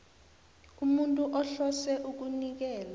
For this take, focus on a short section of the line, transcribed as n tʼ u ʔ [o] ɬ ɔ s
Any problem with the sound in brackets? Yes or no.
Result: yes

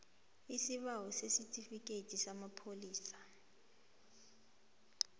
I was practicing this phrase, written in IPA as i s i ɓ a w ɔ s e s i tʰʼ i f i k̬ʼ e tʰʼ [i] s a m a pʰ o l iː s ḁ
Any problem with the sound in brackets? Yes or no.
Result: no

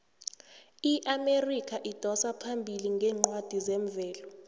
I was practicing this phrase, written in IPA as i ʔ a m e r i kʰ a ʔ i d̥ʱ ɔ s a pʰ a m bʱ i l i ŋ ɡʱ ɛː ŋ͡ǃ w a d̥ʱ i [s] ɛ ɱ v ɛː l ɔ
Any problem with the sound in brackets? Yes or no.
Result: yes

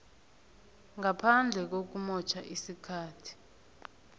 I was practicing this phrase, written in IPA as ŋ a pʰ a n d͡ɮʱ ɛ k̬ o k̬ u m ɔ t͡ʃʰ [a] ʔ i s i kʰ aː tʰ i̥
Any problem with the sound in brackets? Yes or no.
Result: no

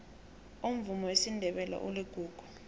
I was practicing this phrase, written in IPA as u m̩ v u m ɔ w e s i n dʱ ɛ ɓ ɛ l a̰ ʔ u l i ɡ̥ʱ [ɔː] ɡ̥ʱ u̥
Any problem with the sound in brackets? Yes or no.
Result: yes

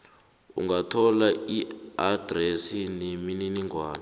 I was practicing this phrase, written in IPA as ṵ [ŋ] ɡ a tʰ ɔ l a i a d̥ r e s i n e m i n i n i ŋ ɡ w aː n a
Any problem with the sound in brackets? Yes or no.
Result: no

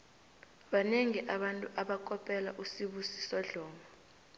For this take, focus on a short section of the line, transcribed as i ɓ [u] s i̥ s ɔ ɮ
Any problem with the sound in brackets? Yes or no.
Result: no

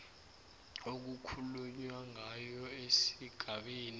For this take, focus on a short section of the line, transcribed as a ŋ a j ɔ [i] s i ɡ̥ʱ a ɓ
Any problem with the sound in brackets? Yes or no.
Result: yes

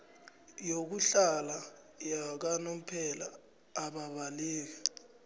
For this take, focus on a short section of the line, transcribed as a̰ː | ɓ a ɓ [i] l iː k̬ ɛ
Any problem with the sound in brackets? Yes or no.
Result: yes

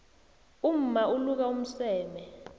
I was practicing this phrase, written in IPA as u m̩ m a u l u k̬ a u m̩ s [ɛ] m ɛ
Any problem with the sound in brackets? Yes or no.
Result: yes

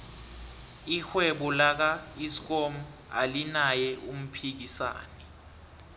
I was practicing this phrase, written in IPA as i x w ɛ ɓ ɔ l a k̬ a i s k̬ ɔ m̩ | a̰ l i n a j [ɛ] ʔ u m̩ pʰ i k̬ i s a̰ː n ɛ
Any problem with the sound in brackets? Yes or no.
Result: no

